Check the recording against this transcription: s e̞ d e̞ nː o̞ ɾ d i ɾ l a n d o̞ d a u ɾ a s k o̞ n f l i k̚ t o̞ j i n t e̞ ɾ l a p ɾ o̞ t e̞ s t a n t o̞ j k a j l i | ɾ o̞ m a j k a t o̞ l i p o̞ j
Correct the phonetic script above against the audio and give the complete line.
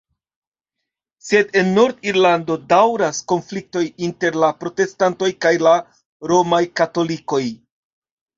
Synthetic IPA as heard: s e̞ d e̞ nː o̞ ɾ d i ɾ l a n d o̞ d a w ɾ a s k o̞ n f l i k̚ t o̞ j i n t e̞ ɾ l a p ɾ o̞ t e̞ s t a n t o̞ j k a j l a | ɾ o̞ m a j k a t o̞ l i k o̞ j